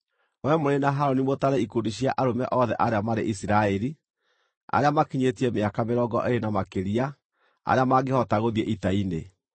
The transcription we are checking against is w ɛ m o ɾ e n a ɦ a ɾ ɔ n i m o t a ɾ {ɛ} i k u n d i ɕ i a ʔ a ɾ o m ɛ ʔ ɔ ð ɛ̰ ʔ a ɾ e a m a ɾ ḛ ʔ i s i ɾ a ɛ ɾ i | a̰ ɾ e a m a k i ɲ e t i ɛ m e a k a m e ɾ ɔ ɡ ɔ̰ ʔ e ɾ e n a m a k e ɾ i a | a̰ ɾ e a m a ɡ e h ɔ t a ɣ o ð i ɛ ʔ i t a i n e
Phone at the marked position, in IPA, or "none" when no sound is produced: ɛ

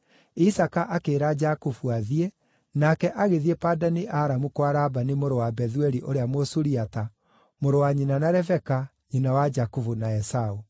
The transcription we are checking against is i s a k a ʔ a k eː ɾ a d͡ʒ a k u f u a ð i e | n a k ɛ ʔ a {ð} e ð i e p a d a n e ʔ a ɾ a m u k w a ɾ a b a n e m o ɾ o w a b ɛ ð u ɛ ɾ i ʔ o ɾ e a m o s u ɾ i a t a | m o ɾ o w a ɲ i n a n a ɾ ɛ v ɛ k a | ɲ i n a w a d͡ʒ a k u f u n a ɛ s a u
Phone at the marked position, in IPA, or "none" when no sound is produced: ɣ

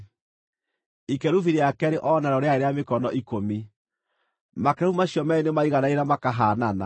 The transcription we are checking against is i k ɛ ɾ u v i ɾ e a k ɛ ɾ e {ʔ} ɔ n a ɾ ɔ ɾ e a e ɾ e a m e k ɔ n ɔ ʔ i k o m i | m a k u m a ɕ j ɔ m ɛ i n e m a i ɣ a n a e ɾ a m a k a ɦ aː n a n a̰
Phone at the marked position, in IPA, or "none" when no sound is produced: ʔ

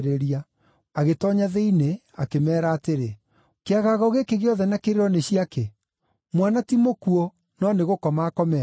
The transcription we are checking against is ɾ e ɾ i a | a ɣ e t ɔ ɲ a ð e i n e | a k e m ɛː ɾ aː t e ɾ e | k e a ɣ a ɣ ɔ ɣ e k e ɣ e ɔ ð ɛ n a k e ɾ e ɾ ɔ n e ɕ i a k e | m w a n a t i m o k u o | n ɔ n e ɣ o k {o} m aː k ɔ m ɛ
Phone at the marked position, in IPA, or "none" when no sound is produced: ɔ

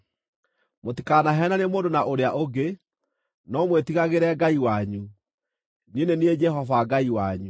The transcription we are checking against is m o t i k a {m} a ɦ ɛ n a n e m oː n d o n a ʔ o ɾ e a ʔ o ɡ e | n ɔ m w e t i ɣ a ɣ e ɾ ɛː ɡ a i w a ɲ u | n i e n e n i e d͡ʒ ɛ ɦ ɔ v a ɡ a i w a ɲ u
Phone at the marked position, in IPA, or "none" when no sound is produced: n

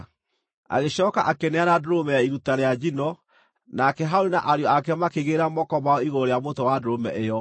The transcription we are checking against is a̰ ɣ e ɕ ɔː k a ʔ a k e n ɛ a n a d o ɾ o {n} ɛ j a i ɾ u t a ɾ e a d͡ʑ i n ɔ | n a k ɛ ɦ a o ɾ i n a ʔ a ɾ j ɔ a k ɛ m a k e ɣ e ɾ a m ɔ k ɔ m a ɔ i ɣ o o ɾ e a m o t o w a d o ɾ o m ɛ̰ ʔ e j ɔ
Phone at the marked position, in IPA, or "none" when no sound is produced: m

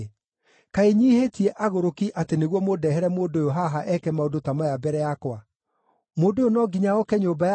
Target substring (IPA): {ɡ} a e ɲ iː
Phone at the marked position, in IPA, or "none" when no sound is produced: k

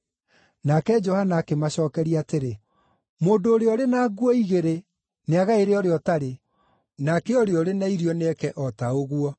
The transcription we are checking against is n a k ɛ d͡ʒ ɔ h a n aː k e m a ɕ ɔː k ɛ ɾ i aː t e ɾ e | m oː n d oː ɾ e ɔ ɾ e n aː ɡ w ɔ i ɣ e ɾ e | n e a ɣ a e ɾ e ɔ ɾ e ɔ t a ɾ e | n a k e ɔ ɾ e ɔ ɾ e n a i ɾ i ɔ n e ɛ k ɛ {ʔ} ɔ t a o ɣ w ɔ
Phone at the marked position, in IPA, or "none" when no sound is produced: ʔ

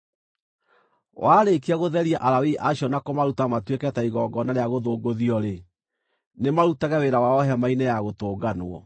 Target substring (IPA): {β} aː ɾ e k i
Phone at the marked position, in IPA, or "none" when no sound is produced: w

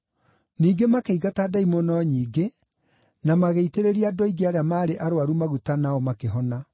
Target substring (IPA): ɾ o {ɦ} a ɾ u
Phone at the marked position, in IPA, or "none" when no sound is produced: none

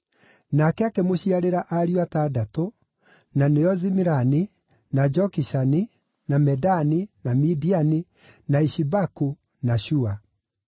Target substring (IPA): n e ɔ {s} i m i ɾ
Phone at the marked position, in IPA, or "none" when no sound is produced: z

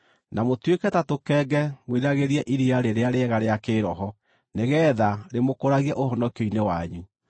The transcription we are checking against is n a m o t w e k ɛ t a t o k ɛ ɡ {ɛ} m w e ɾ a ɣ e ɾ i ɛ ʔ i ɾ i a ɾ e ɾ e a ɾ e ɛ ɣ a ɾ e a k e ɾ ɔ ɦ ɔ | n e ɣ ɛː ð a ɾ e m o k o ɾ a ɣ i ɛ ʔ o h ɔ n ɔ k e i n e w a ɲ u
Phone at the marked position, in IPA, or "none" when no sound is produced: ɛ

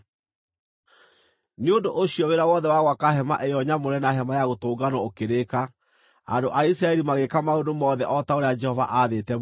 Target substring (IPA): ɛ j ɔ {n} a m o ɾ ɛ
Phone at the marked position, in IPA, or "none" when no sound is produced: ɲ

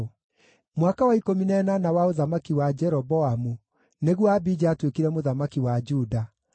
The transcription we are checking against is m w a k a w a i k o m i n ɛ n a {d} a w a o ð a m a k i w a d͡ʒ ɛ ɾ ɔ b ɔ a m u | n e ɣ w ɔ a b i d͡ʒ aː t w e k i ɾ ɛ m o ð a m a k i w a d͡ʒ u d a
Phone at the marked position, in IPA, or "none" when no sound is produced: n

